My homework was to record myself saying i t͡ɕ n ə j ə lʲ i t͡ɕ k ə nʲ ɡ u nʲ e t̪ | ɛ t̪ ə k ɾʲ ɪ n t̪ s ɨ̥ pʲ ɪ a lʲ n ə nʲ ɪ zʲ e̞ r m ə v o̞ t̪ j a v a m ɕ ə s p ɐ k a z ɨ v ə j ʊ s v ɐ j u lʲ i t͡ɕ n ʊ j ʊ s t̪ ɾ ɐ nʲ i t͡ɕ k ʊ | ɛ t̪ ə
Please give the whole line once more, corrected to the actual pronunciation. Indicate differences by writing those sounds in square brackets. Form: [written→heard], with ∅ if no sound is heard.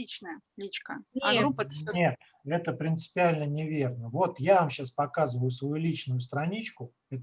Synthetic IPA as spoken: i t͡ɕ n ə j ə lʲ i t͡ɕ k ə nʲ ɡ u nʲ e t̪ | ɛ t̪ ə [k→p] ɾʲ ɪ n t̪ s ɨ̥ pʲ ɪ a lʲ n ə nʲ ɪ [zʲ→vʲ] e̞ r [m→n] ə v o̞ t̪ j a v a m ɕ [ə→a] s p ɐ k a z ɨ v ə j ʊ s v ɐ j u lʲ i t͡ɕ n ʊ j ʊ s t̪ ɾ ɐ nʲ i t͡ɕ k ʊ | ɛ t̪ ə